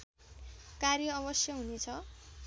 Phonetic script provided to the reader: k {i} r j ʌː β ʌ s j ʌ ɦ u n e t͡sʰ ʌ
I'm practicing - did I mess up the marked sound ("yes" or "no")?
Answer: yes